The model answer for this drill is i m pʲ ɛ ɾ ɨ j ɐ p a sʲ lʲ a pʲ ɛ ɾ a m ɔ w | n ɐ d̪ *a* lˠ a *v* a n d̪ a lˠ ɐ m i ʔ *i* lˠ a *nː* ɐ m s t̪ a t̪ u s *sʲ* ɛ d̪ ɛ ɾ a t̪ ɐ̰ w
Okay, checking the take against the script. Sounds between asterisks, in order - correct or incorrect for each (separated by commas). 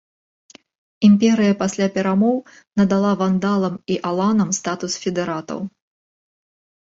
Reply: correct, correct, incorrect, incorrect, incorrect